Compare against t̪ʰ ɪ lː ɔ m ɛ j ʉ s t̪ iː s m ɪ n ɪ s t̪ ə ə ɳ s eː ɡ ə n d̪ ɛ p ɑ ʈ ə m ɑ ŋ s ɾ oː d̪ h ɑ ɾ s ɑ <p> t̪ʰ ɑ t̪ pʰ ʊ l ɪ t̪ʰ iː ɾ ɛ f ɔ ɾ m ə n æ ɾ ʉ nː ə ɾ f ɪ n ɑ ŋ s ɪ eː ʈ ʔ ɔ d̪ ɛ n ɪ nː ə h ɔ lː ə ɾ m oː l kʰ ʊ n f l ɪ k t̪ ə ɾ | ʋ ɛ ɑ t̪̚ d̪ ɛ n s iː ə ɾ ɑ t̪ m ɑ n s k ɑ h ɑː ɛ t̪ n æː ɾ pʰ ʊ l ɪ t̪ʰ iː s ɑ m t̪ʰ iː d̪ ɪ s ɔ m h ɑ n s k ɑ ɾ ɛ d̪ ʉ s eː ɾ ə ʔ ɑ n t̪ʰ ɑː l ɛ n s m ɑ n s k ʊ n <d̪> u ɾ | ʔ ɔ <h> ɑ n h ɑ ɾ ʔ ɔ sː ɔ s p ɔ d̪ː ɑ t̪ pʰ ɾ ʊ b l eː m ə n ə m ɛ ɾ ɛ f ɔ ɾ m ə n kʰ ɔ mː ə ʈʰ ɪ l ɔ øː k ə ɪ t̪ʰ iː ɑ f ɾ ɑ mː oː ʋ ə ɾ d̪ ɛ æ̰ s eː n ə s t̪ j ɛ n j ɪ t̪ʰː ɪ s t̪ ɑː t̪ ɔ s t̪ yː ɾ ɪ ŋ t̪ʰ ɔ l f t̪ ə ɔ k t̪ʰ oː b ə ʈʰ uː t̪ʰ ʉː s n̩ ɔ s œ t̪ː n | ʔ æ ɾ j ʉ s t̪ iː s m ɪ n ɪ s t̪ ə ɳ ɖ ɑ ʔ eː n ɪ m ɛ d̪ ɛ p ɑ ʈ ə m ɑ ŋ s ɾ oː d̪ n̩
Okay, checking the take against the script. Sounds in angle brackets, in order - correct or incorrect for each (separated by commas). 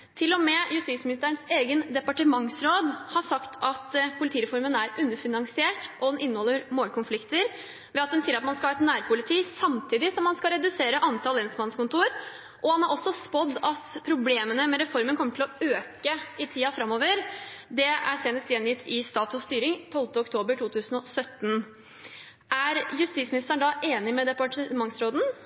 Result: incorrect, incorrect, correct